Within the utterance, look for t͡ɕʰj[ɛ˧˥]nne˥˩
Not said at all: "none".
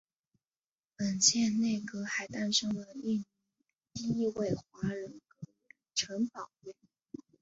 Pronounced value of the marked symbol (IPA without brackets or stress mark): ɛ˥˧